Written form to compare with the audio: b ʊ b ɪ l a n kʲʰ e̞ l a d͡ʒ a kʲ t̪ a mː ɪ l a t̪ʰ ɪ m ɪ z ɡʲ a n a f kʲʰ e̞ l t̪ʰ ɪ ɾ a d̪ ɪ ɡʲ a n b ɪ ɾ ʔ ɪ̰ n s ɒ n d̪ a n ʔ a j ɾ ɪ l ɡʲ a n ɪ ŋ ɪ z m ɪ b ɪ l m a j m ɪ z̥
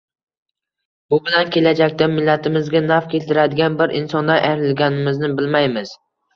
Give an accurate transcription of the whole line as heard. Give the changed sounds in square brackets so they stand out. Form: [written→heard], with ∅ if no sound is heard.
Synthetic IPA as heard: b ʊ b ɪ l a n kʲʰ e̞ l a d͡ʒ a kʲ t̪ a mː ɪ [l→lː] a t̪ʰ ɪ m ɪ z ɡʲ a n a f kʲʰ e̞ l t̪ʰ ɪ ɾ a d̪ ɪ ɡʲ a n b ɪ ɾ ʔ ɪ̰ n s ɒ n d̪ a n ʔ a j ɾ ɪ l ɡʲ a n ɪ [ŋ→m] ɪ z [m→n] ɪ b ɪ l m a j m ɪ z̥